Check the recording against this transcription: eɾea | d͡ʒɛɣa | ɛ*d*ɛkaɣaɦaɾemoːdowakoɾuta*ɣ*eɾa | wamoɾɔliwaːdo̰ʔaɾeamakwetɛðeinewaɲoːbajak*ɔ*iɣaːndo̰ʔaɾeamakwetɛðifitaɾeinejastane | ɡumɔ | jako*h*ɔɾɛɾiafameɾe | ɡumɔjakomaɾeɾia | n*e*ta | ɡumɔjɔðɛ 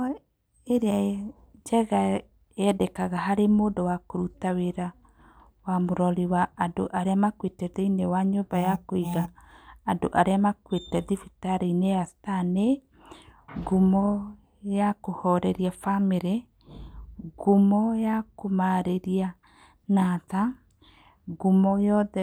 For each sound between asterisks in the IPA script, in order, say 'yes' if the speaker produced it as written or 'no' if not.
yes, no, no, yes, no

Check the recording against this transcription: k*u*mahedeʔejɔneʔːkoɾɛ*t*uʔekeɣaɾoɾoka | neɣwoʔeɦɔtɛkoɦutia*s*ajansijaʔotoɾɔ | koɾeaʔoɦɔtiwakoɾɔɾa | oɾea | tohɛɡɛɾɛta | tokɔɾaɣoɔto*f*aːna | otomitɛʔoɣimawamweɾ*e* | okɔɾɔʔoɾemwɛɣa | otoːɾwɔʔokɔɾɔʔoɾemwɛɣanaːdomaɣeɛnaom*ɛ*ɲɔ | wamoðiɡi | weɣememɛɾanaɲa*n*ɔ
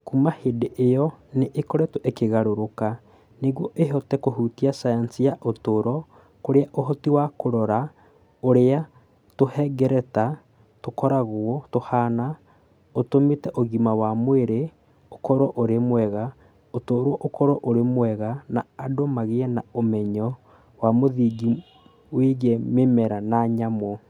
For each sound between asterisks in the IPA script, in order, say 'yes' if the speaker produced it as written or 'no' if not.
yes, yes, yes, no, yes, yes, no

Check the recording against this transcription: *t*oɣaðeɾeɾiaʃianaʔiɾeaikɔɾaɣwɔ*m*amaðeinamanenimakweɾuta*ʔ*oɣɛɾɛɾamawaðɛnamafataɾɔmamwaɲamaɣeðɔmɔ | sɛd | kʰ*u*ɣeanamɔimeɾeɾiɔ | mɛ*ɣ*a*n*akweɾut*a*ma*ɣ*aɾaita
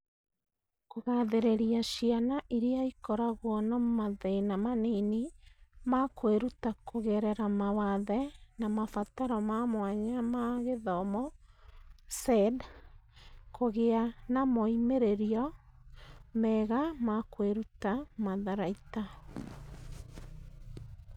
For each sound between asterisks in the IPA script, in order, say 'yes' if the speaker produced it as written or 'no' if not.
no, no, no, no, yes, no, yes, no

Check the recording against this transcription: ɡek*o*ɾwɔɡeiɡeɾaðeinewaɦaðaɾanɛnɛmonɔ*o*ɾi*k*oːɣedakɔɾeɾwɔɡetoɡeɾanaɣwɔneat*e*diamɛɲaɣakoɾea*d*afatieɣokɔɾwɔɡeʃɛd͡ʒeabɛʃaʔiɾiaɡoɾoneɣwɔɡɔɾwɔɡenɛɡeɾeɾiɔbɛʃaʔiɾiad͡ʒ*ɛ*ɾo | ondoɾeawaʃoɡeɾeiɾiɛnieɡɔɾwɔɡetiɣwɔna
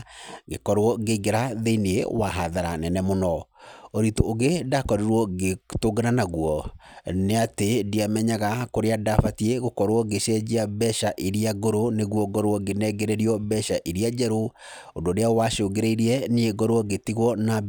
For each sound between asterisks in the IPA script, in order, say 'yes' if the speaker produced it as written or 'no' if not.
no, yes, no, yes, yes, yes

